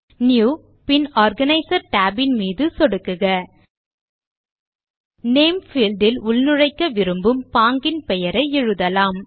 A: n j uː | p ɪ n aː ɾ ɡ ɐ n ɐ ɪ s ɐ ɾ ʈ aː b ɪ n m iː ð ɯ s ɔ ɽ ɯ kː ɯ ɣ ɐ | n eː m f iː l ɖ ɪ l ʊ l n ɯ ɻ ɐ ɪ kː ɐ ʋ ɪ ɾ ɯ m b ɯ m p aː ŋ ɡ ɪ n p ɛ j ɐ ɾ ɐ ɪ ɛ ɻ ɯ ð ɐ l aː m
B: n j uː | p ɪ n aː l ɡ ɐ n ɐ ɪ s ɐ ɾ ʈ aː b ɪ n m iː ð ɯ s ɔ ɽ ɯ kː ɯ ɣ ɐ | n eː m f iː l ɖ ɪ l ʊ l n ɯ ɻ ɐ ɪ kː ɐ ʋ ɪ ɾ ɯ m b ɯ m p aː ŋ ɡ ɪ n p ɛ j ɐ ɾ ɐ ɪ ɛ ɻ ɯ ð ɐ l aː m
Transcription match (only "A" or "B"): A